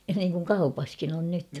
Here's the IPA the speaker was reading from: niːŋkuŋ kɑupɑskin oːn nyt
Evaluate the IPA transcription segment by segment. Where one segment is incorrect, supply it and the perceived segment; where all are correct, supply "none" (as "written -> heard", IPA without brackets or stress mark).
oː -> o